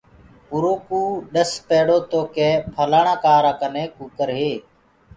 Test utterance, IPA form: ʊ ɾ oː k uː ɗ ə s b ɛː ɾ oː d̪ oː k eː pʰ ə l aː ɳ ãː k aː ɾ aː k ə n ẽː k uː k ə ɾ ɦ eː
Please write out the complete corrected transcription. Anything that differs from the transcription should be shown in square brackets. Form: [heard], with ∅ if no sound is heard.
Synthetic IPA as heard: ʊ ɾ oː k uː ɗ ə s [p] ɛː [ɽ] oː [t̪] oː k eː pʰ ə l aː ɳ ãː k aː ɾ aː k ə n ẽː k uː k ə ɾ ɦ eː